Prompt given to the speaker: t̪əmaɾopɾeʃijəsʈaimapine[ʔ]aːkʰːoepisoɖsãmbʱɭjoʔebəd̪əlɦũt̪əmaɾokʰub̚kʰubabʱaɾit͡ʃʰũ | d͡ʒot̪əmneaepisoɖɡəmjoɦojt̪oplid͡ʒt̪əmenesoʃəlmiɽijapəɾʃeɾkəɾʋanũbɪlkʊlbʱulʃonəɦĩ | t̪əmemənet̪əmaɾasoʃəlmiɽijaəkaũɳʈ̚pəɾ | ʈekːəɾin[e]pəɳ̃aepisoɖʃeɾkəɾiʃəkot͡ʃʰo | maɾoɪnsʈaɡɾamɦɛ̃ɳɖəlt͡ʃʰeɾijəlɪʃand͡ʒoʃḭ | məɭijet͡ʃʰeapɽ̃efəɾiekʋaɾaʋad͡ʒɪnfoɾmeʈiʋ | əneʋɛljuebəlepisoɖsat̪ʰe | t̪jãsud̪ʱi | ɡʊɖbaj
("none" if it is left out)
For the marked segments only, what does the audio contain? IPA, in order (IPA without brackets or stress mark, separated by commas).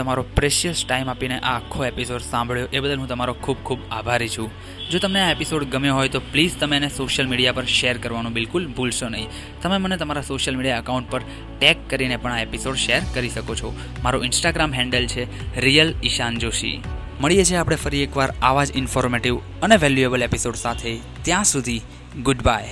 ʔ, e